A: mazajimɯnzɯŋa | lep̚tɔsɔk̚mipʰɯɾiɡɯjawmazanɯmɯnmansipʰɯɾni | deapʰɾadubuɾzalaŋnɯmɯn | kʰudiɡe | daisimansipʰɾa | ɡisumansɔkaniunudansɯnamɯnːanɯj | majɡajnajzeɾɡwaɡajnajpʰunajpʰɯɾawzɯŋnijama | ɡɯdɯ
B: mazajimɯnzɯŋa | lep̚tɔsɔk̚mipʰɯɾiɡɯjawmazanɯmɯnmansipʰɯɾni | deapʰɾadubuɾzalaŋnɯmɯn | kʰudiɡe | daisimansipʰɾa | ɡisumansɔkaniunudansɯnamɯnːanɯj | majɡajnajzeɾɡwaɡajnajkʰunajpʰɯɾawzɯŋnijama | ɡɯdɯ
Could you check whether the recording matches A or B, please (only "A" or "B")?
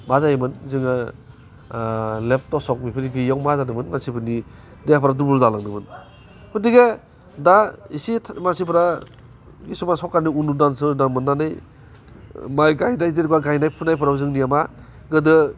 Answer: A